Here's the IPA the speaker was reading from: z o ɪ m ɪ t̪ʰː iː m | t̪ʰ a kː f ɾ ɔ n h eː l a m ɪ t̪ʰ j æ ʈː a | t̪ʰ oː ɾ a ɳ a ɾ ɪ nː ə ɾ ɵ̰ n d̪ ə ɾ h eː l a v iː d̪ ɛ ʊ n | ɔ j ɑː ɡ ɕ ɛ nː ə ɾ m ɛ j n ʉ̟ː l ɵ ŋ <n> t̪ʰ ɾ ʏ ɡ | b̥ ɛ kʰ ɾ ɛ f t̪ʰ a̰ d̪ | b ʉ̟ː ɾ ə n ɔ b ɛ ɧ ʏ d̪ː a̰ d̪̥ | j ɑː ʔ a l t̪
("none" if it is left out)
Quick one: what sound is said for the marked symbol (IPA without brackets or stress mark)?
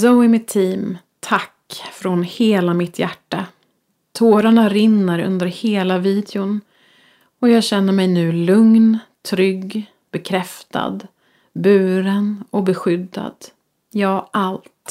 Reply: n